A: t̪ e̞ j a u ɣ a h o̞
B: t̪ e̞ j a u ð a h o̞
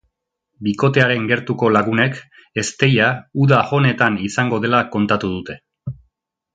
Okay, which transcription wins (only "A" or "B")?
B